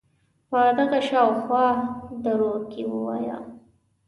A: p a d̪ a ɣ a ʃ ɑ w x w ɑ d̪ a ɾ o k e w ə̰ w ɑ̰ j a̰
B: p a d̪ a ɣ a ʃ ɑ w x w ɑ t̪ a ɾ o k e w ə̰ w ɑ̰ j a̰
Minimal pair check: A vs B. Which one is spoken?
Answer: A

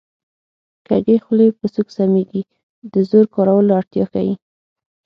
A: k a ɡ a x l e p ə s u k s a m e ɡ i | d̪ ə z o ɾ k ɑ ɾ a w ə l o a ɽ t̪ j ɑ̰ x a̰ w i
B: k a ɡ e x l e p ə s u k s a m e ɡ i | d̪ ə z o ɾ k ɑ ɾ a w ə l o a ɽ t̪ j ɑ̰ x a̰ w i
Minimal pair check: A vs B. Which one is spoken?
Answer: B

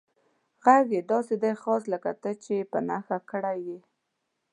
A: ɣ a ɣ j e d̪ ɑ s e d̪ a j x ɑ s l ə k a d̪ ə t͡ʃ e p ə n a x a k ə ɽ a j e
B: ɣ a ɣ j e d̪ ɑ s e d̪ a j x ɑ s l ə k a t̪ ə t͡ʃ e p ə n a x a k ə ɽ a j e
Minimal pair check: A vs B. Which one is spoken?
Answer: B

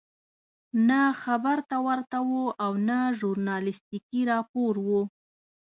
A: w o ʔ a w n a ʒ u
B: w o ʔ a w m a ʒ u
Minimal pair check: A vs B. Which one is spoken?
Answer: A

